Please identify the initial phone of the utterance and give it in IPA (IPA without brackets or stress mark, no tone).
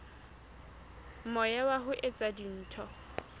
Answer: m